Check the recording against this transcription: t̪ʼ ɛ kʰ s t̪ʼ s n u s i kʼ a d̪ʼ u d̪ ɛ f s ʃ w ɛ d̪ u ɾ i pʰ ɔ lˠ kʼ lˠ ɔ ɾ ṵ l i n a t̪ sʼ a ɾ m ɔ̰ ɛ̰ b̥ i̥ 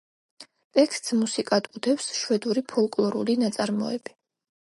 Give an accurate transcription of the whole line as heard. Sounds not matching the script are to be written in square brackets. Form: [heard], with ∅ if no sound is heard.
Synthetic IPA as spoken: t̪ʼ ɛ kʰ s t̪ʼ s [m] u s i kʼ a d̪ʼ u d̪ ɛ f s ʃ w ɛ d̪ u ɾ i pʰ ɔ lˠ kʼ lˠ ɔ ɾ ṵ l i n a t̪ sʼ a ɾ m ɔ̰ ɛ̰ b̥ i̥